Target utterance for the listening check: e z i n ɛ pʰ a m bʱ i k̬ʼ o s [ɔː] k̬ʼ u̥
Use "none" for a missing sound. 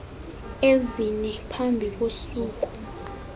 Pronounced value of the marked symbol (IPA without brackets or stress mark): uː